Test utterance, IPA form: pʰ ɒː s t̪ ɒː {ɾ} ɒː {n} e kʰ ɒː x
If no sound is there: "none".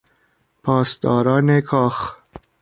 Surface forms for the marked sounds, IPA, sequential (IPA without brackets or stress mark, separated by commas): ɾ, n